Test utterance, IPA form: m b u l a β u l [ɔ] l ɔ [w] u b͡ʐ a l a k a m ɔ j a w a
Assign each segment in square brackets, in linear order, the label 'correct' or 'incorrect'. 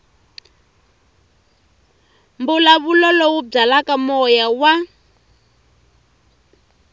correct, correct

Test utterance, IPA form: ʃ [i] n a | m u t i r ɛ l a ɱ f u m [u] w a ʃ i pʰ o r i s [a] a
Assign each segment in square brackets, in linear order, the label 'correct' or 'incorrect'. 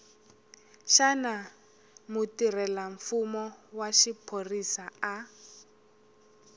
incorrect: a, incorrect: ɔ, correct

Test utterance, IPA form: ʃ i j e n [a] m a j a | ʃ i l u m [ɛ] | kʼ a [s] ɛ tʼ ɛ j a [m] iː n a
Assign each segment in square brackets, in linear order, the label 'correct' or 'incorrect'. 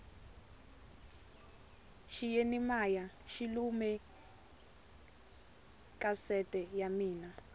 incorrect: i, correct, correct, correct

